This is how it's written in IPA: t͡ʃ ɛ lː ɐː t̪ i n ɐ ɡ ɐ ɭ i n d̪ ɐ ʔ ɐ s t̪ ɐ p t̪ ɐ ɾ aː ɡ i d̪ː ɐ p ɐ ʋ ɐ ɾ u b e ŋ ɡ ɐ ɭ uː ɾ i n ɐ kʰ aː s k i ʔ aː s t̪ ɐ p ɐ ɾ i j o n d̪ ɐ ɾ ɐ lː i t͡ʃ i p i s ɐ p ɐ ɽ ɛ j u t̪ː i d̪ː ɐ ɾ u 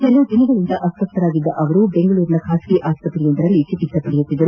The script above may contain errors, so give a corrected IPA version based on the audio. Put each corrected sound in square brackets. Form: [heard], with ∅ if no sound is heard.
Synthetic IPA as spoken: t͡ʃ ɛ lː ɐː [d̪] i n ɐ ɡ ɐ ɭ i n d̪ ɐ ʔ ɐ s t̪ ɐ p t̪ ɐ ɾ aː ɡ i d̪ː ɐ [ʔ] ɐ ʋ ɐ ɾ u b e ŋ ɡ ɐ ɭ uː ɾ i n ɐ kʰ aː s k i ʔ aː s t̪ ɐ p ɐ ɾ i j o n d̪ ɐ ɾ ɐ lː i t͡ʃ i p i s ɐ p ɐ ɽ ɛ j u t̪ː i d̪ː ɐ ɾ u